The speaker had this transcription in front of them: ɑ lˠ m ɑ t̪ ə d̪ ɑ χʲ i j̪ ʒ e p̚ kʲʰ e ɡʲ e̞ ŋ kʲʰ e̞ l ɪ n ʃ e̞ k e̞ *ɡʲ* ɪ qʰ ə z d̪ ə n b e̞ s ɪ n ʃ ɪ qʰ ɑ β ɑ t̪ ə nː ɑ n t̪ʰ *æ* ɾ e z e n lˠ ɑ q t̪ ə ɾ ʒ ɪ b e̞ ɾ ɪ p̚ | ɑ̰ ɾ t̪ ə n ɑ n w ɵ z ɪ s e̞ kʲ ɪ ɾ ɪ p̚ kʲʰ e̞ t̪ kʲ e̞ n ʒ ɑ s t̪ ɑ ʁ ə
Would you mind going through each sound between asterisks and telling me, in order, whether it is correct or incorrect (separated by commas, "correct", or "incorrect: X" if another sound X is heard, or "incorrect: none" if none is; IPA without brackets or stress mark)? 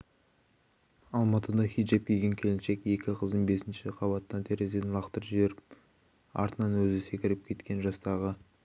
incorrect: kʲ, incorrect: e